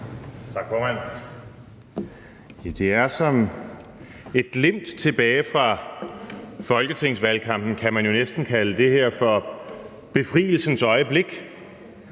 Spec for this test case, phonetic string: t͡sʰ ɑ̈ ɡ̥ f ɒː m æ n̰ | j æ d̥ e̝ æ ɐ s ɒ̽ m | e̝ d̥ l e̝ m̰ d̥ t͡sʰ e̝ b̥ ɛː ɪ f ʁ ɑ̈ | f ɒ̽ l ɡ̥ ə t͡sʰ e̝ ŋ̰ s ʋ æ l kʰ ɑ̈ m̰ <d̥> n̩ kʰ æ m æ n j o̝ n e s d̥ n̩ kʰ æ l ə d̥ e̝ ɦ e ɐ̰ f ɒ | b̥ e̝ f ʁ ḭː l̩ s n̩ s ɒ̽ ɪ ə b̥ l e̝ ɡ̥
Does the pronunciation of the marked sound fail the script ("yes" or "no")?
yes